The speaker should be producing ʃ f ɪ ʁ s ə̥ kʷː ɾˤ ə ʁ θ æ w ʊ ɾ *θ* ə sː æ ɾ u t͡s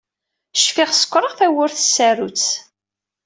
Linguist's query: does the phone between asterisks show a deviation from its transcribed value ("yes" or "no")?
no